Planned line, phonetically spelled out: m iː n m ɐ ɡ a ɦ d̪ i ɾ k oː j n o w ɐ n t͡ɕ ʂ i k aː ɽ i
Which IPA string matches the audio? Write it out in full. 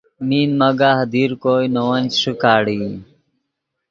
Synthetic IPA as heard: m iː n m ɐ ɡ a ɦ d̪ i ɾ k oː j n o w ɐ n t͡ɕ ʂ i k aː ɽ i